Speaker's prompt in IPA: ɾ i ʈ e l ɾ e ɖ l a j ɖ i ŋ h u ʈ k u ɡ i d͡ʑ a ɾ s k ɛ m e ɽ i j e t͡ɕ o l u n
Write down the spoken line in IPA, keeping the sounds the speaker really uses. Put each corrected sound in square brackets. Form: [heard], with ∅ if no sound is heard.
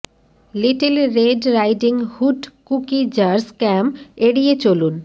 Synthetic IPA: [l] i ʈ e l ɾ e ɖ [ɾ] a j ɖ i ŋ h u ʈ k u [k] i d͡ʑ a ɾ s k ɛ m e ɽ i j e t͡ɕ o l u n